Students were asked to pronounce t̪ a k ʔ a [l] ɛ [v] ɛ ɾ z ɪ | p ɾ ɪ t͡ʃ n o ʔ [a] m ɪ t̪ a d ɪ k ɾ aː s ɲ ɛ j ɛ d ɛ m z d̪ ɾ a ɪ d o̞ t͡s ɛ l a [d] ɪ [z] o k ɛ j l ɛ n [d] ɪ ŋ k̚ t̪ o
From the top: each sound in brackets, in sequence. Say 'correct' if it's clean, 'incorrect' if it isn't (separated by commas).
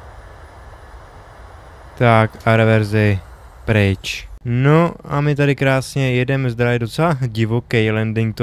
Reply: incorrect, correct, correct, incorrect, incorrect, correct